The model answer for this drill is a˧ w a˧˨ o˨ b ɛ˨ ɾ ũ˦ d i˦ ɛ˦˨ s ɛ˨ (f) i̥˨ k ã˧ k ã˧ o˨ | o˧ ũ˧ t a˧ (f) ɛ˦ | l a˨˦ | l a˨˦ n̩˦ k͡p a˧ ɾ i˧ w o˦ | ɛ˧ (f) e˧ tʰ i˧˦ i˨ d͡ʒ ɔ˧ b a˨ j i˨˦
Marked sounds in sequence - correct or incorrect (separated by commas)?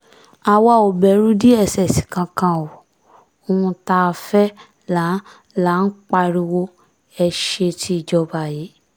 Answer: incorrect, correct, incorrect